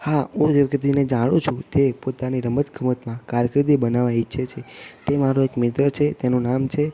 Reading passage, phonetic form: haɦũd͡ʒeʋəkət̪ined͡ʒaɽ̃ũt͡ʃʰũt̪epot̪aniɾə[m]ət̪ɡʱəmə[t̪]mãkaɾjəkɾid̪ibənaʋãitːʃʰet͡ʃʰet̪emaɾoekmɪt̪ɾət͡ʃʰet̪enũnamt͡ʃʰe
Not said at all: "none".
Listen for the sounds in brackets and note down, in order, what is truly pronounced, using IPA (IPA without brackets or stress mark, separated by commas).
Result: m, t̪